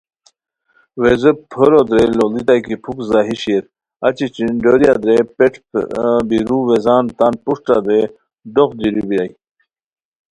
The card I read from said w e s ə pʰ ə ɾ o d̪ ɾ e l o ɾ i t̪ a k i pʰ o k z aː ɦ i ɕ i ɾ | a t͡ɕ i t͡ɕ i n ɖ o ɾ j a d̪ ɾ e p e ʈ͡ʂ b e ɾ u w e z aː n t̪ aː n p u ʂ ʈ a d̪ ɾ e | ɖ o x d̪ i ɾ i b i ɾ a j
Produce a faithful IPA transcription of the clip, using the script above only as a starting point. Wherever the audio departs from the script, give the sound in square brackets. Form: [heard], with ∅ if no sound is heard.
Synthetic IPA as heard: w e [z] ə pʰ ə ɾ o d̪ ɾ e l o [l] i t̪ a k i pʰ [u] k z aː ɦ i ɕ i ɾ | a t͡ɕ i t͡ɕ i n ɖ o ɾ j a d̪ ɾ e p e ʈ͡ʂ b [i] ɾ u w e z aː n t̪ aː n p u ʂ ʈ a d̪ ɾ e | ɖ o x d̪ i ɾ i b i ɾ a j